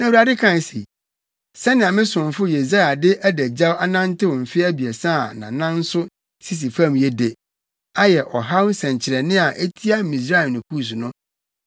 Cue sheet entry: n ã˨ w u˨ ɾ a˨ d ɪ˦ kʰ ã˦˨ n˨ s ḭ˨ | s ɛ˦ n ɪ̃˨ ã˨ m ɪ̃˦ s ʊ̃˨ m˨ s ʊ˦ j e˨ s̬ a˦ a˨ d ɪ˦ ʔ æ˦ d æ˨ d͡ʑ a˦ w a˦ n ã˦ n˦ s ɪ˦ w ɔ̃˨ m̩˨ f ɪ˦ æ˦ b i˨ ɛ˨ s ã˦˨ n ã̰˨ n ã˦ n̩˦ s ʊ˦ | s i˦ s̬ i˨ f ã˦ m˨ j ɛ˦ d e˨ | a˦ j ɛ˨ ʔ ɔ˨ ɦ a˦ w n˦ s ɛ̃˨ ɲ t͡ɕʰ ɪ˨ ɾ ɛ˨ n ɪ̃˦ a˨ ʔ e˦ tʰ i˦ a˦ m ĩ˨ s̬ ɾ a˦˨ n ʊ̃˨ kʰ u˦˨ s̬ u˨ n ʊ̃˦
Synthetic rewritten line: n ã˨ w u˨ ɾ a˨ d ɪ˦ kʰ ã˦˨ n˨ s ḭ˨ | s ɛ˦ n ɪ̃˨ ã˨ m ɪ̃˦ s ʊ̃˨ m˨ f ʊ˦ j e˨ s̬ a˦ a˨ d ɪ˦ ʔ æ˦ d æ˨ d͡ʑ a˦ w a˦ n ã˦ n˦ t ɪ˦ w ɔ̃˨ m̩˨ f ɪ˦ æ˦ b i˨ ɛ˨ s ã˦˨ n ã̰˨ n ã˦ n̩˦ s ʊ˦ | s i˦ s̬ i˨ f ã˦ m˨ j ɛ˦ d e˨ | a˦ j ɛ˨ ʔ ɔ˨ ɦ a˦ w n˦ s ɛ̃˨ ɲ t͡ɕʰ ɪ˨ ɾ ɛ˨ n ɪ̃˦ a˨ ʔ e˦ tʰ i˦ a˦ m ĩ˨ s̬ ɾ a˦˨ n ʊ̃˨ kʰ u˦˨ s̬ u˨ n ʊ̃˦